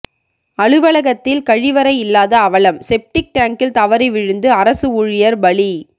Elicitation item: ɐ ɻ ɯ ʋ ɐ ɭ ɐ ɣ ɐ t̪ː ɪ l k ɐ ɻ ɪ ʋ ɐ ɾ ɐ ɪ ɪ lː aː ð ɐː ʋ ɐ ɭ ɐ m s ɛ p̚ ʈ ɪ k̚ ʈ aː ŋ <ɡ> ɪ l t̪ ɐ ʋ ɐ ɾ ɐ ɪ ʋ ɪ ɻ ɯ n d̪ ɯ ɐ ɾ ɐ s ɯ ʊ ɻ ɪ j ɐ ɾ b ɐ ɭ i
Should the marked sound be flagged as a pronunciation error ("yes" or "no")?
yes